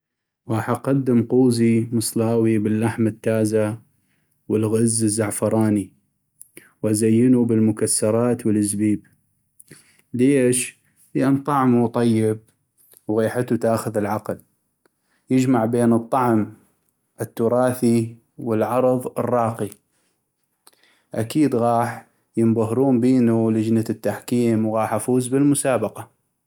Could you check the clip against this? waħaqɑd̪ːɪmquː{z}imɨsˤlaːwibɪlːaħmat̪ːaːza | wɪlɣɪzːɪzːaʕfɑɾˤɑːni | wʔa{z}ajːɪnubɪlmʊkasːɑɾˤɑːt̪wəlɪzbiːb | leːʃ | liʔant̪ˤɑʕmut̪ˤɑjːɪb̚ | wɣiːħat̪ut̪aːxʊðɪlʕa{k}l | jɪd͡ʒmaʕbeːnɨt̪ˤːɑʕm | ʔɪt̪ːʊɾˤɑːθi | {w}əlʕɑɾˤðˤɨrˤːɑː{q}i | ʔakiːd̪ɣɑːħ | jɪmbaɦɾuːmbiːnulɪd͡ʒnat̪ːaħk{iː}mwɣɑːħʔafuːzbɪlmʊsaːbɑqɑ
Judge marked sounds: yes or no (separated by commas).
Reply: yes, yes, no, yes, yes, yes